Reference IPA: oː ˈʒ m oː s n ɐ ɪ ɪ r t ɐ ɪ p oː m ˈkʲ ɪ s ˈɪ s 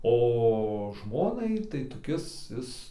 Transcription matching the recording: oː ˈʒ m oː n ɐ ɪ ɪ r t ɐ ɪ t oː ˈkʲ ɪ s ˈɪ s